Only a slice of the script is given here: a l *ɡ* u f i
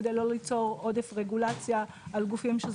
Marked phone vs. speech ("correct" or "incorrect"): correct